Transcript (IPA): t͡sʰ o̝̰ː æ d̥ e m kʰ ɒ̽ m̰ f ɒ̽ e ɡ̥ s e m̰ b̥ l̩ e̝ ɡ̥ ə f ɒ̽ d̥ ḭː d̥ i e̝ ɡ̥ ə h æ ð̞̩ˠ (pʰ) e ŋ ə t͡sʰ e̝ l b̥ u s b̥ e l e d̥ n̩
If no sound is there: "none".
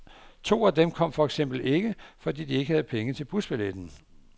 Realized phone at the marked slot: pʰ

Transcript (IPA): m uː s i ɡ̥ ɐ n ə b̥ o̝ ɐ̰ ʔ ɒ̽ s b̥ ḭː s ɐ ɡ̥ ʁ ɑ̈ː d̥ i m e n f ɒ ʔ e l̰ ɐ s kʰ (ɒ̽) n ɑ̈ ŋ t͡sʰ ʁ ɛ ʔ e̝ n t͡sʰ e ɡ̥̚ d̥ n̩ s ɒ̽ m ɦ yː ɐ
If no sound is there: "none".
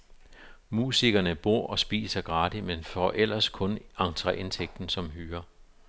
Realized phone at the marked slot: ɔ̽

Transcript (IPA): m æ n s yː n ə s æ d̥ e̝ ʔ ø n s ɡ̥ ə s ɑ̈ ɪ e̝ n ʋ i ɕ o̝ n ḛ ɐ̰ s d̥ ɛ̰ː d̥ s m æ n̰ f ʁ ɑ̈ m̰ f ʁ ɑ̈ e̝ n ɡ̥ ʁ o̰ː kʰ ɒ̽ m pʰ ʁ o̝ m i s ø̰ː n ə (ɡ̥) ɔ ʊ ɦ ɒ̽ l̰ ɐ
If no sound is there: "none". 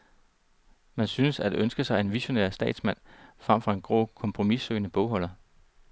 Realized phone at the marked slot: b̥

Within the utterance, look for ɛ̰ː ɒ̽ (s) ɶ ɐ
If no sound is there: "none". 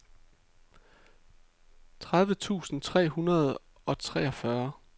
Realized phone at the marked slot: f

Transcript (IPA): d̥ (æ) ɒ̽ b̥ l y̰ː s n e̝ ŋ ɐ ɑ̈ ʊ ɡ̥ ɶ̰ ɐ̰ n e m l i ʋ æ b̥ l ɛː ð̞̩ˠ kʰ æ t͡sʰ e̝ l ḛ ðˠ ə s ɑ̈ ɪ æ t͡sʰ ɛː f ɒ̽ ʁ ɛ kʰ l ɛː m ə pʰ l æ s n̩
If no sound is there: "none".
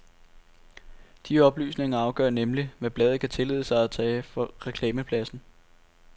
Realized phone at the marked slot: i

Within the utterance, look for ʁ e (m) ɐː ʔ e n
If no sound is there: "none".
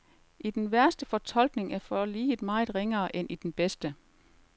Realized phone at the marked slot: ŋ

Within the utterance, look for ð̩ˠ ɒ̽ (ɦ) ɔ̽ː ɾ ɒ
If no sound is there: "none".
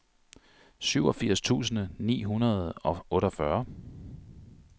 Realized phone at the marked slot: none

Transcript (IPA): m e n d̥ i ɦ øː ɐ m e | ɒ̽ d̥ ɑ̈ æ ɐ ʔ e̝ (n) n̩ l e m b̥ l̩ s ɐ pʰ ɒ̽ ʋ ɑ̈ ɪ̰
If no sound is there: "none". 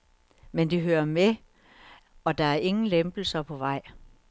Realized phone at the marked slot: ŋ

